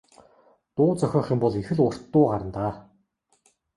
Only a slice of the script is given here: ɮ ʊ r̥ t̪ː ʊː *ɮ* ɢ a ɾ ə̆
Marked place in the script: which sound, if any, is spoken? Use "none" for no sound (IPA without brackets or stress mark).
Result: none